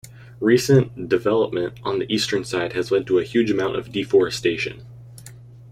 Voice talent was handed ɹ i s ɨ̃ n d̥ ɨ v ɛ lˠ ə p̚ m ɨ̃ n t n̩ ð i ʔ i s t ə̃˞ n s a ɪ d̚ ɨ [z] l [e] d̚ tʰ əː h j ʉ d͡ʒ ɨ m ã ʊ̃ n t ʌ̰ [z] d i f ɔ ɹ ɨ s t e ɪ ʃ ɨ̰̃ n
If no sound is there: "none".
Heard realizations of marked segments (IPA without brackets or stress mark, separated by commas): z, ɛ, v